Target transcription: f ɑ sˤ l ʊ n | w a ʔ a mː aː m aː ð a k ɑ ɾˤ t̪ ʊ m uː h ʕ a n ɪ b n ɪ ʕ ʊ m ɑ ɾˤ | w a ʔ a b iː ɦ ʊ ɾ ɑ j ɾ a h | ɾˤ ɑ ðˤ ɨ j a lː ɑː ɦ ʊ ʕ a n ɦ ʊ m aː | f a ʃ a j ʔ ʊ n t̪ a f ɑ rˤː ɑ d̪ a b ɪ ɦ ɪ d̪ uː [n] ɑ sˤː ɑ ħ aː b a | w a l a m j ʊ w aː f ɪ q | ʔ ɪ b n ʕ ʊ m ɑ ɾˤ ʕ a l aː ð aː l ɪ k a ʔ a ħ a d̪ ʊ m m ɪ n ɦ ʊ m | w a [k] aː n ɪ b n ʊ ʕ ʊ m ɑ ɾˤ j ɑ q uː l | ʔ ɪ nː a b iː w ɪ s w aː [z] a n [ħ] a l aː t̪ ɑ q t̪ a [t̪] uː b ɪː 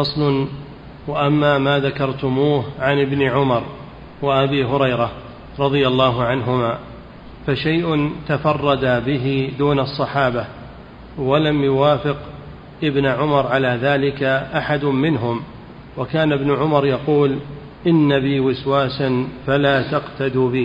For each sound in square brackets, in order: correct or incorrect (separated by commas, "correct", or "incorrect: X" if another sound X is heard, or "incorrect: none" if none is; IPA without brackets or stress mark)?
correct, correct, incorrect: s, incorrect: f, incorrect: d̪